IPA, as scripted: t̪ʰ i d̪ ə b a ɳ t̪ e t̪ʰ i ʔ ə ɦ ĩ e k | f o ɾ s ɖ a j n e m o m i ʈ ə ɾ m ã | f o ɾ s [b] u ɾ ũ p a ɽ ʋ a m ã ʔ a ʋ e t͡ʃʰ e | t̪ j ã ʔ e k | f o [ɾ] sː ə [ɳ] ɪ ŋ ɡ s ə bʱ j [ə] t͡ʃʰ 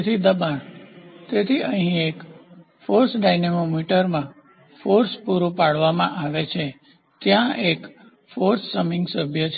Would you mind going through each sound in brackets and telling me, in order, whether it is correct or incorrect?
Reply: incorrect: p, correct, incorrect: m, correct

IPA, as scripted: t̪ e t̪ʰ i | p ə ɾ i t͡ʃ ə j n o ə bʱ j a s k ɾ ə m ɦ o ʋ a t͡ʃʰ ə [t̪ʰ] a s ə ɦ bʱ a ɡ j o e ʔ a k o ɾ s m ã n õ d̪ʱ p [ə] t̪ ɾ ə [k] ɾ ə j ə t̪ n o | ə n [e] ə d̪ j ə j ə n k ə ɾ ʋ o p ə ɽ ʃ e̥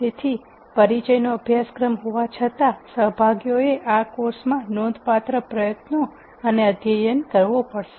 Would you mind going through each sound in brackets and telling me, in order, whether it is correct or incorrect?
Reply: incorrect: t̪, incorrect: a, incorrect: p, correct

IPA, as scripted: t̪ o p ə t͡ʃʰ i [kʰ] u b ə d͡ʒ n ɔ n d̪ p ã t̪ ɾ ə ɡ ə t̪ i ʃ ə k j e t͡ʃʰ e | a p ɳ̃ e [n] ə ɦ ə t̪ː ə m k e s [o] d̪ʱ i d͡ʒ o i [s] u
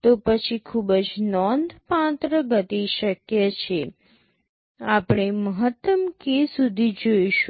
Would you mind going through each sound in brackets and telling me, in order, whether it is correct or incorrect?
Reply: correct, incorrect: m, incorrect: u, incorrect: ʃ

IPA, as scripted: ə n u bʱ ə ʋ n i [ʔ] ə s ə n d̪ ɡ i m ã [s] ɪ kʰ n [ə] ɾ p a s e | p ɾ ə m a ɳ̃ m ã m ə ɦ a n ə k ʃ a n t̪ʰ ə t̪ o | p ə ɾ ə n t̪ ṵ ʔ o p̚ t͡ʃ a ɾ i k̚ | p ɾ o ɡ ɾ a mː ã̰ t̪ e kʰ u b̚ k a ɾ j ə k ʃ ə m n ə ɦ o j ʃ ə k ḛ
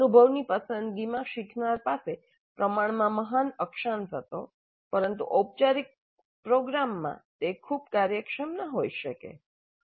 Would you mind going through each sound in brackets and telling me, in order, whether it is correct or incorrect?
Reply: incorrect: p, incorrect: ʃ, incorrect: a

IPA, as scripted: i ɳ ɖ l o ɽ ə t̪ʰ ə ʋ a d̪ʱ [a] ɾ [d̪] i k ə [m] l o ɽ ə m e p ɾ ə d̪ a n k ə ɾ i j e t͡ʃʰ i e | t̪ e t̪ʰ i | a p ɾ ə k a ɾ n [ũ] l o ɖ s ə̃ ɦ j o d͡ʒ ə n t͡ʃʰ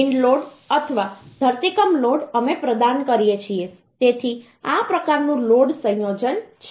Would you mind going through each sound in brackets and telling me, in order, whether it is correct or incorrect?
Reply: incorrect: ə, incorrect: t̪, correct, correct

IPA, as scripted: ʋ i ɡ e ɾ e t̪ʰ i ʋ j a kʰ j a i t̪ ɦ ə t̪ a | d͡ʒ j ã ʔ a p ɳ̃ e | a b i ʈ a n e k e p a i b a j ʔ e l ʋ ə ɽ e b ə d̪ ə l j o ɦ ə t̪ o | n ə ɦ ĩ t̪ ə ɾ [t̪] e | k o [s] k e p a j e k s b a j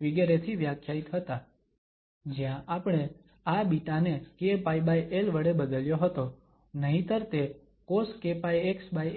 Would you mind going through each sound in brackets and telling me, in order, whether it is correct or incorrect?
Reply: correct, correct

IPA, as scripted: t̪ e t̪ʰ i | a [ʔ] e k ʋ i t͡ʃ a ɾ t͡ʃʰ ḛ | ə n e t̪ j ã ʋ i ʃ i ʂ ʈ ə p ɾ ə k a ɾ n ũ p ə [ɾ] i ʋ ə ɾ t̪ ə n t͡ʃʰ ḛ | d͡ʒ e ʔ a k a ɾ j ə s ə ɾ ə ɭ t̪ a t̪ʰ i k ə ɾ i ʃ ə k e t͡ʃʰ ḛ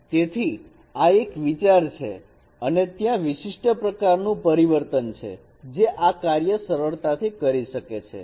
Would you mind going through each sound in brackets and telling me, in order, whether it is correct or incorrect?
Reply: incorrect: none, correct

